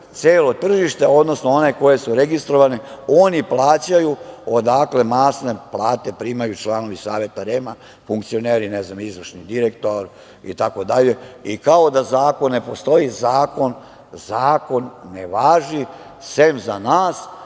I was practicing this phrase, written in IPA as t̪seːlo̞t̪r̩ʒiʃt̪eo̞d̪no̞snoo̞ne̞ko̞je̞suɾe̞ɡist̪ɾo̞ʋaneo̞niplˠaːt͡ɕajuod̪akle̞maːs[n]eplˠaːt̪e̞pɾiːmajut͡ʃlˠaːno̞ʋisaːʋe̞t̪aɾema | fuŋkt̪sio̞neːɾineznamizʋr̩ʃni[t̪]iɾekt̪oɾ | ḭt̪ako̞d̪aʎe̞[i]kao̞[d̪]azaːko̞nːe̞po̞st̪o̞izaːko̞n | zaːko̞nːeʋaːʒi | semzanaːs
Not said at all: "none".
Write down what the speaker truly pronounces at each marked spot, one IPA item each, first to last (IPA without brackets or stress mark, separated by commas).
n, d̪, i, d̪